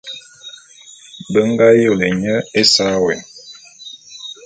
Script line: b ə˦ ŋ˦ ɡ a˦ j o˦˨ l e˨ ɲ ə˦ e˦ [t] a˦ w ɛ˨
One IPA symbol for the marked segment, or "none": s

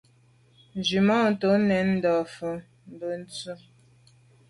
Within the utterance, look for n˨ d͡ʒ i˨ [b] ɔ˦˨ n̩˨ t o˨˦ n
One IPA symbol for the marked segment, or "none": m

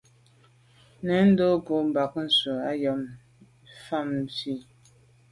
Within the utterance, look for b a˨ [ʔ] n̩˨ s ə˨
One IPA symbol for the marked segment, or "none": k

